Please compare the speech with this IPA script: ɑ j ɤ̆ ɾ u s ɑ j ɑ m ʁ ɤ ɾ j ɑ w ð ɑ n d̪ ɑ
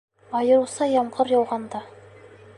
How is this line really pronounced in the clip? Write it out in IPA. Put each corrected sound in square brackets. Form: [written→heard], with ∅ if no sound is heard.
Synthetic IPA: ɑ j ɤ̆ ɾ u s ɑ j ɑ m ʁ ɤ ɾ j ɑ w [ð→ʁ] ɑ n d̪ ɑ